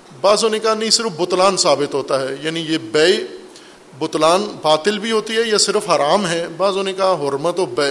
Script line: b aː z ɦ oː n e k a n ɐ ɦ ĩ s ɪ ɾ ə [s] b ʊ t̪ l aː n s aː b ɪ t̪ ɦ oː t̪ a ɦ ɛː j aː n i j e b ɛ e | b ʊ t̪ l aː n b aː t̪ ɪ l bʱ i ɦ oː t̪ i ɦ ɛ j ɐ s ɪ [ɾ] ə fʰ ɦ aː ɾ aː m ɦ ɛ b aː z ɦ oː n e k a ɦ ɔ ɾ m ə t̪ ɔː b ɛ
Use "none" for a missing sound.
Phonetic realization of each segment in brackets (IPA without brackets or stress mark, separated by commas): f, ɾ